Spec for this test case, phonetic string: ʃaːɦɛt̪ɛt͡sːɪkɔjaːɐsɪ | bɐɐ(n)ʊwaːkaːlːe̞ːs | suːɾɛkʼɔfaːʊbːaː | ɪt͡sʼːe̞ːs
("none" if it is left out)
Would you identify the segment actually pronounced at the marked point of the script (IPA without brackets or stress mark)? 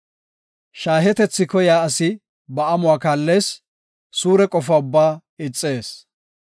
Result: m